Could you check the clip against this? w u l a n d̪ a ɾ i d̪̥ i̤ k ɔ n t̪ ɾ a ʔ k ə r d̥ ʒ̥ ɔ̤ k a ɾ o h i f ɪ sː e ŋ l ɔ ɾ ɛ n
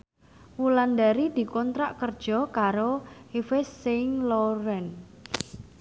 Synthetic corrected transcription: w u l a n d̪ a ɾ i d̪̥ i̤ k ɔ n t̪ ɾ a ʔ k ə r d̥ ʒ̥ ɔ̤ k a ɾ o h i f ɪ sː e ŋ l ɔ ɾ ɛ n